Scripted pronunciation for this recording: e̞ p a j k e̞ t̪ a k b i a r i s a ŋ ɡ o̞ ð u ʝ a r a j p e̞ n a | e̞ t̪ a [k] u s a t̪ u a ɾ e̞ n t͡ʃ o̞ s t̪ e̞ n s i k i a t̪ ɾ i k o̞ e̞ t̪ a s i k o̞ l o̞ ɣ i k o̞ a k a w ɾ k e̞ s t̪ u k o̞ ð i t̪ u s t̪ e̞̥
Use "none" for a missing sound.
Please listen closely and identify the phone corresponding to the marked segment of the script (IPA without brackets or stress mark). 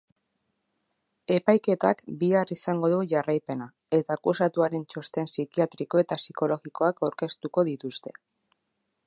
k